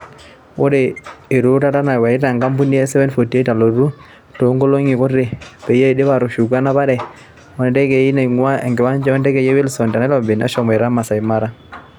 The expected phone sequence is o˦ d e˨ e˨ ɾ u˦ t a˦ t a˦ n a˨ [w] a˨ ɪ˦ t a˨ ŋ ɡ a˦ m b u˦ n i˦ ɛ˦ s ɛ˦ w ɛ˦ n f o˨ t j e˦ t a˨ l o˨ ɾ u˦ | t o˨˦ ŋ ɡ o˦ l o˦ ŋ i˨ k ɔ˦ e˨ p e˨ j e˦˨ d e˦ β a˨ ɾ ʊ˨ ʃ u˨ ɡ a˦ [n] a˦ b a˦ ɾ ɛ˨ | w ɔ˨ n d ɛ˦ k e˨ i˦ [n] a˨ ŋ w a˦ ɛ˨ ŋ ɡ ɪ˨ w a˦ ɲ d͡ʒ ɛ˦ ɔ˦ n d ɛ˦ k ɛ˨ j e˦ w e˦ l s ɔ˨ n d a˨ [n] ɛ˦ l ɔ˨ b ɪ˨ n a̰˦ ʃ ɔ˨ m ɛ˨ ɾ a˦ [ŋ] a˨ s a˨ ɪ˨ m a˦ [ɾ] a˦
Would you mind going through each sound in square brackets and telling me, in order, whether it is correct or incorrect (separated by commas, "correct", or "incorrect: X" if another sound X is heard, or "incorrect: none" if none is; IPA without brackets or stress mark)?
correct, correct, correct, correct, incorrect: m, correct